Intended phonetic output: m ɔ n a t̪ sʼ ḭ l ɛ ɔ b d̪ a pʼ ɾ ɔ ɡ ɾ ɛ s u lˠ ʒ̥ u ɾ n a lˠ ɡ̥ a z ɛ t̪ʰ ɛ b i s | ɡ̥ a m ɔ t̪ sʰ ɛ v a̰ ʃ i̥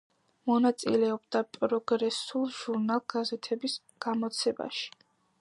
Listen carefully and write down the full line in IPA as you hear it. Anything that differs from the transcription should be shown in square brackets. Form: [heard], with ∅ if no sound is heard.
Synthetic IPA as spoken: m ɔ n a t̪ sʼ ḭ l ɛ ɔ b d̪ a pʼ ɾ ɔ ɡ ɾ ɛ s u lˠ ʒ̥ u ɾ n a lˠ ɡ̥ a z ɛ t̪ʰ ɛ b i s | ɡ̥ a m ɔ t̪ sʰ ɛ [b] a̰ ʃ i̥